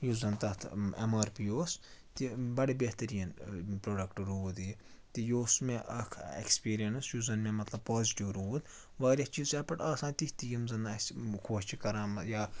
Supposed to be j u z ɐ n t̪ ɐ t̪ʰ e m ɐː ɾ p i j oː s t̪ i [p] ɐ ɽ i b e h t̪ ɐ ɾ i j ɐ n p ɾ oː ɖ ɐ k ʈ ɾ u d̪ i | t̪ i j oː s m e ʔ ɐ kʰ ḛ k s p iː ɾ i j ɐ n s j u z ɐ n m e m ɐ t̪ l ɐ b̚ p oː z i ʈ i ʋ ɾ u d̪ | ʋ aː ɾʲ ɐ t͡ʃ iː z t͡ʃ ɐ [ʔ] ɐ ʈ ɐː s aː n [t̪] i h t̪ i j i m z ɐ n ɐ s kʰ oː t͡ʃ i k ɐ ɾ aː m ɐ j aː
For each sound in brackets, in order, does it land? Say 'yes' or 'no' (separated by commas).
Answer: no, no, yes